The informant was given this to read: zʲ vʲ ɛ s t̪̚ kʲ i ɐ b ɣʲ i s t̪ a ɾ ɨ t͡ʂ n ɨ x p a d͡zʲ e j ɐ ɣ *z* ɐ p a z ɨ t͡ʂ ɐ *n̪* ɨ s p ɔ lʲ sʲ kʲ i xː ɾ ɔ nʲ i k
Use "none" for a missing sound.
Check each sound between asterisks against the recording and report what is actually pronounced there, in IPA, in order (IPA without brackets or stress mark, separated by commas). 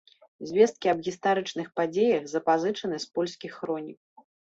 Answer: z, n̪